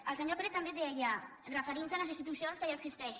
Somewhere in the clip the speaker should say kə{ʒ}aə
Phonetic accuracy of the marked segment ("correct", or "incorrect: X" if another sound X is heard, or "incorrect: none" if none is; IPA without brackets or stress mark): correct